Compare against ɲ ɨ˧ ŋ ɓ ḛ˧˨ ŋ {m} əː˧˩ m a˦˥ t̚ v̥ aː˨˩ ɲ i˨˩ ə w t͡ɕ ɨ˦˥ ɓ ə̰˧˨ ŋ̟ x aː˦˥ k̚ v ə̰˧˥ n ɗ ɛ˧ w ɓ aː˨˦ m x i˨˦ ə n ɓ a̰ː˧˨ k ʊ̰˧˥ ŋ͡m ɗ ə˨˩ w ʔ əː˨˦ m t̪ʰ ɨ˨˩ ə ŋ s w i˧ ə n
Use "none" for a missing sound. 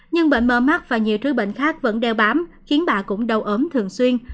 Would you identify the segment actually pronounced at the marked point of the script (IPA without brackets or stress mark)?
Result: m